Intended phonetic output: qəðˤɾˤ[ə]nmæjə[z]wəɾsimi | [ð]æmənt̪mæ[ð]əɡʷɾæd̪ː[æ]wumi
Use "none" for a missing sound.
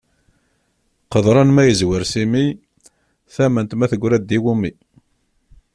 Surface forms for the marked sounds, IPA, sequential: ɑ, z, θ, θ, i

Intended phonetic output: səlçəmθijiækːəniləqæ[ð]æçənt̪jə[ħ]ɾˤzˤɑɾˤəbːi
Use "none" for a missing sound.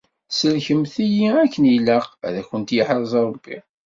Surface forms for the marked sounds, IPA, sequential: ð, ħ

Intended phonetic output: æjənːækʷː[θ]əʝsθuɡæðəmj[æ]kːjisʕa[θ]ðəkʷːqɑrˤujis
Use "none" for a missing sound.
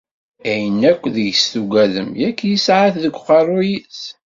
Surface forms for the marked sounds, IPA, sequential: ð, æ, θ

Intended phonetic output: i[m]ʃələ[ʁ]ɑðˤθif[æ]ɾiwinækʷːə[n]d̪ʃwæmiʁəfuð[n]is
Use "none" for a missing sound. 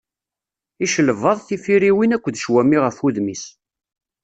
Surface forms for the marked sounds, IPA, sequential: none, v, i, none, m

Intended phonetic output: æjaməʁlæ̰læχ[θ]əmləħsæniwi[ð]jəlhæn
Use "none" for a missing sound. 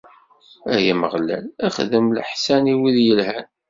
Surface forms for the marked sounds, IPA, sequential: ð, ð

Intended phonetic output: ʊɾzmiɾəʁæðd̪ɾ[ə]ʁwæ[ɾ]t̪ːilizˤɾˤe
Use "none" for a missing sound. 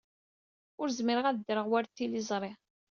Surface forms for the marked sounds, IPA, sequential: ə, ɾ

